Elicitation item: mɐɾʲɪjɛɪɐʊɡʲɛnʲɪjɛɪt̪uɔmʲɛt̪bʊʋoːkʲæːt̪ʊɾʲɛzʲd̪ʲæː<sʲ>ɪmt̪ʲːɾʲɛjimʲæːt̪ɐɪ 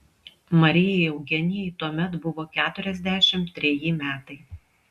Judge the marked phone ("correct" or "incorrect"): incorrect